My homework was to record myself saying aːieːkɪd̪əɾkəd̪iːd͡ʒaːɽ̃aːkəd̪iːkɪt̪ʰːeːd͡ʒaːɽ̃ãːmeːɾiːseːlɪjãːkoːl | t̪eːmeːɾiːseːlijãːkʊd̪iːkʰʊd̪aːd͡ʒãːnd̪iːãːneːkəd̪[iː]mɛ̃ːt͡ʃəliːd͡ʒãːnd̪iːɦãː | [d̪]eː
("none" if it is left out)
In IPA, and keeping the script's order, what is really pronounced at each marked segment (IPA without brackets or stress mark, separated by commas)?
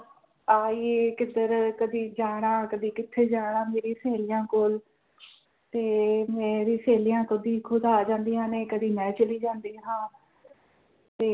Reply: iː, t̪